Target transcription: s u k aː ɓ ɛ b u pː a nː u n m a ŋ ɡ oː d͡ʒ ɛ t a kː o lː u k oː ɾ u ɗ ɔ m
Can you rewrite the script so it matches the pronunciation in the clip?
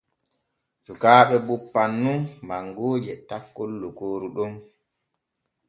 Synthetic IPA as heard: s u k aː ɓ ɛ b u pː a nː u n m a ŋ ɡ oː d͡ʒ ɛ t a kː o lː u k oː ɾ u ɗ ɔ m